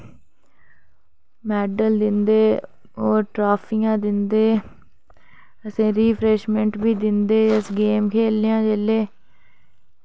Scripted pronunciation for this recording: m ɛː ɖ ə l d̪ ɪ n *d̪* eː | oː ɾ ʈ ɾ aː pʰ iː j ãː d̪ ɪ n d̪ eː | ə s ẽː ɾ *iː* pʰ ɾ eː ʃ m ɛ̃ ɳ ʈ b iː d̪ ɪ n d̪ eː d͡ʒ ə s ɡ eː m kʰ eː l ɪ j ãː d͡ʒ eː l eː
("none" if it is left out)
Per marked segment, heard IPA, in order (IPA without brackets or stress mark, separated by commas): d̪, iː